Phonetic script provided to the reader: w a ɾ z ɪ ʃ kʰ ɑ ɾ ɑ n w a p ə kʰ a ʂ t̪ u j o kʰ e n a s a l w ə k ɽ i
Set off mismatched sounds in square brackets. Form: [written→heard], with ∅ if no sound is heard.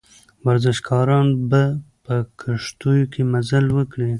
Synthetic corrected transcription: w a ɾ z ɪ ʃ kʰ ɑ ɾ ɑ n [w→b] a p ə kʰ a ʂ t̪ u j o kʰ e [n→m] a [s→z] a l w ə k ɽ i